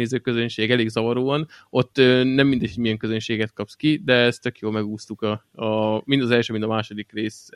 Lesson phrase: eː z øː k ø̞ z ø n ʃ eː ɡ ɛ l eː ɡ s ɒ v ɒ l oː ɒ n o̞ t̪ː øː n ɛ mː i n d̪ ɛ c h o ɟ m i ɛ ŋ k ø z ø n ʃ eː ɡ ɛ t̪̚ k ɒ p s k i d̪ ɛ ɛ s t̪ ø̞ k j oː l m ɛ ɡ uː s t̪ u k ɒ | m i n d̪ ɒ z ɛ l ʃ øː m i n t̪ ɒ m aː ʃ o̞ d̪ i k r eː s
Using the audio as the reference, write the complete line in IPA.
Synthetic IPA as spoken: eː z øː k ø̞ z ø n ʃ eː ɡ ɛ l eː ɡ z ɒ v ɒ ɾ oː ɒ n o̞ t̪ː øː n ɛ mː i n d̪ ɛ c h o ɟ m i ɛ ŋ k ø z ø n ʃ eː ɡ ɛ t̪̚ k ɒ p s k i d̪ ɛ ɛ s t̪ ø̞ k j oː l m ɛ ɡ uː s t̪ u k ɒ | m i n d̪ ɒ z ɛ l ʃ øː m i n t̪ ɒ m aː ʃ o̞ d̪ i k r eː s